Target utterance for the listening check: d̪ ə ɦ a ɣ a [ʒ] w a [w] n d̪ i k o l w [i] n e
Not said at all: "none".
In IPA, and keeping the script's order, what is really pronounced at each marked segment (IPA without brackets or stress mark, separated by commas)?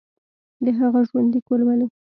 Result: ʒ, none, a